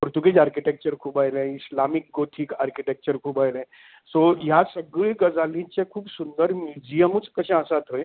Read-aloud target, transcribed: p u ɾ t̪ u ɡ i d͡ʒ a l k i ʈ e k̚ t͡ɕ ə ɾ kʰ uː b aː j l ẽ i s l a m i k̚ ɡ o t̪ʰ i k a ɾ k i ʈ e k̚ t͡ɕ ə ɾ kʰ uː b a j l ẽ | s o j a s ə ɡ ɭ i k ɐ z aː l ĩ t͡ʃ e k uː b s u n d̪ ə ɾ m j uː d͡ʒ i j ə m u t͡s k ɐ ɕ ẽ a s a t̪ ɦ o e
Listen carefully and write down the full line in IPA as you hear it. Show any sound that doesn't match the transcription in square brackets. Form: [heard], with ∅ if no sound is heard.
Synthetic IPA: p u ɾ t̪ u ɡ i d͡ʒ a [ɾ] k i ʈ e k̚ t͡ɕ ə ɾ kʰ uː b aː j l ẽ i s l a m i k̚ ɡ o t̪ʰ i k a ɾ k i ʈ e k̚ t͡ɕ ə ɾ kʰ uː b a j l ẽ | s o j a s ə ɡ ɭ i [ɡ] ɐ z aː l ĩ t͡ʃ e [kʰ] uː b s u n d̪ ə ɾ m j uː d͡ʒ i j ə m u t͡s k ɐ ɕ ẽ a s a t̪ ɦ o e